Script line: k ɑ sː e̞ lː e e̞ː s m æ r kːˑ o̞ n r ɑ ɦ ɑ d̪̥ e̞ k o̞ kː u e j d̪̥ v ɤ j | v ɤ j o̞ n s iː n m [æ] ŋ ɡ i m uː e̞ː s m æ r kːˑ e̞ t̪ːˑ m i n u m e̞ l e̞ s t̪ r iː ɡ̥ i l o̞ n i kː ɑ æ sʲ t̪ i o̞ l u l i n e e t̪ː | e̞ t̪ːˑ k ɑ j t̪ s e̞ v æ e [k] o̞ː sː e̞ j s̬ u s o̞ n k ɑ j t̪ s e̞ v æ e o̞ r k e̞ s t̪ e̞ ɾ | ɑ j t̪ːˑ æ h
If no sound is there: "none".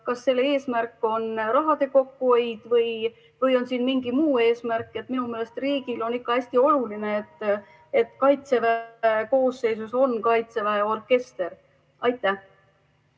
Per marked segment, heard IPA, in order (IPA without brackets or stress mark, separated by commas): i, k